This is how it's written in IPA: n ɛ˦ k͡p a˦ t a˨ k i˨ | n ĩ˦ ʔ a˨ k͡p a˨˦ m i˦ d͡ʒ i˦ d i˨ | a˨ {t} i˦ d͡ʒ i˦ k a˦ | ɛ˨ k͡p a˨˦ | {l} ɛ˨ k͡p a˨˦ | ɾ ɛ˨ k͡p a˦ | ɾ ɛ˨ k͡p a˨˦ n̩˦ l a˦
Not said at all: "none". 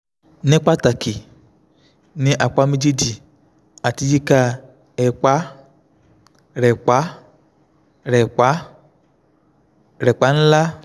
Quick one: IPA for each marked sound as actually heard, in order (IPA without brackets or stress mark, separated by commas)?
t, ɾ